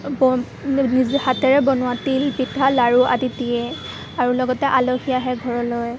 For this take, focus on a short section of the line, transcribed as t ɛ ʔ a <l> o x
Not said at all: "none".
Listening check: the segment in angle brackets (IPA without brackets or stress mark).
l